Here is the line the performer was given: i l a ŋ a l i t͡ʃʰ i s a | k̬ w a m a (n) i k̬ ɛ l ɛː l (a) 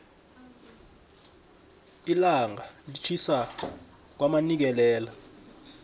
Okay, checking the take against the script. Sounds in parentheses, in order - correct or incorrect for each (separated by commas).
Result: correct, correct